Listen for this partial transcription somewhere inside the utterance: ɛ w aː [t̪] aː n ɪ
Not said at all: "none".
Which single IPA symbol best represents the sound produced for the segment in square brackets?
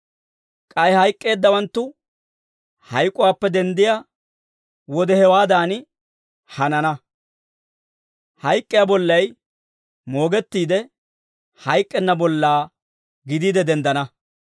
d̪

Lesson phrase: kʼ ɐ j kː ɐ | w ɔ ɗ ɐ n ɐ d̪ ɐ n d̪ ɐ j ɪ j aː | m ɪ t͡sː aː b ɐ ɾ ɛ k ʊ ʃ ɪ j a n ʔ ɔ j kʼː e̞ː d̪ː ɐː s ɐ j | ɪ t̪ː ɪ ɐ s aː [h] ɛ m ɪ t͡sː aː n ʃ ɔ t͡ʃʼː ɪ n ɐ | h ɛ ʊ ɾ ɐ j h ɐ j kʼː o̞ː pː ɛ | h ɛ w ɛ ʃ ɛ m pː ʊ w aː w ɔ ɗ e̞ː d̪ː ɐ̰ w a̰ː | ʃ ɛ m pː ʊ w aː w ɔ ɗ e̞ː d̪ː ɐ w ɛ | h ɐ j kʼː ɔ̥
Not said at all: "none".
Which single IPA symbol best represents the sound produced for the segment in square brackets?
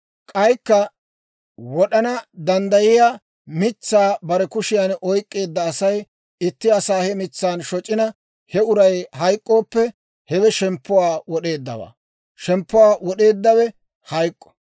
h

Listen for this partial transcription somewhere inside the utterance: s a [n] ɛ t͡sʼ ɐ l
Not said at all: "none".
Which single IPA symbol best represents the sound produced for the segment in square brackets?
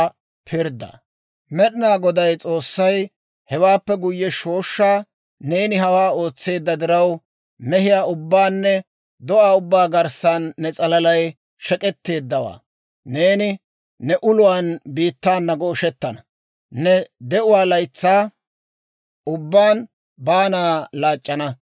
nː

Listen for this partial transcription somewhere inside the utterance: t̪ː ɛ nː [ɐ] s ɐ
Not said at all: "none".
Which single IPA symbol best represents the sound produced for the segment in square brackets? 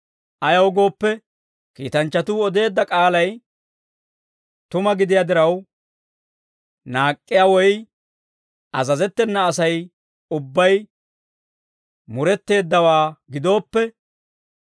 ɐː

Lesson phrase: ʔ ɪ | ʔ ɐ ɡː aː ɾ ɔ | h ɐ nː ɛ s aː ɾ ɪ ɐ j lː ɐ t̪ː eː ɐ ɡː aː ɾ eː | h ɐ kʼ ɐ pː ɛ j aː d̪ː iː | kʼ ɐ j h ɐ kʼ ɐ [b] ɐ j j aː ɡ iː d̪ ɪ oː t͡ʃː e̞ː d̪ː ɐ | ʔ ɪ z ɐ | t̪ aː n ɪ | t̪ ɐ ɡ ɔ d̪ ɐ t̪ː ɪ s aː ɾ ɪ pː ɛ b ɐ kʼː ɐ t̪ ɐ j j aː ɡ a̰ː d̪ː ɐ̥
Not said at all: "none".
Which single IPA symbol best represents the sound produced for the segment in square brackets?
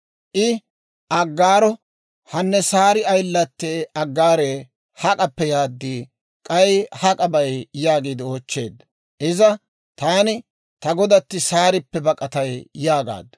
b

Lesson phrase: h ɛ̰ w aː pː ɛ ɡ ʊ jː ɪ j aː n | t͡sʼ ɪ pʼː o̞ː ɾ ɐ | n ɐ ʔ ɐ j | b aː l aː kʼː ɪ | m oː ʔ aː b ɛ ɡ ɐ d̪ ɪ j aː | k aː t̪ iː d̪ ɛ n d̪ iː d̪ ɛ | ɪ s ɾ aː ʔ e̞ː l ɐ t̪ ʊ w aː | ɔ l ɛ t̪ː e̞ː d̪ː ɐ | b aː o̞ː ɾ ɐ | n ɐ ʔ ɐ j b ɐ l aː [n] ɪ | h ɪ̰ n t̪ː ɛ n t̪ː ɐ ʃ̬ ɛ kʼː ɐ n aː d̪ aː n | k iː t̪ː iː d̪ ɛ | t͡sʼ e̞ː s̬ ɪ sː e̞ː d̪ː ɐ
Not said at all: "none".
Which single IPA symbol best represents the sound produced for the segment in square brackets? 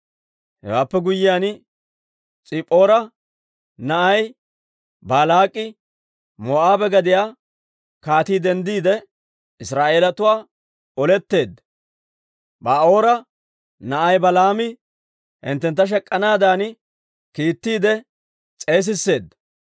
m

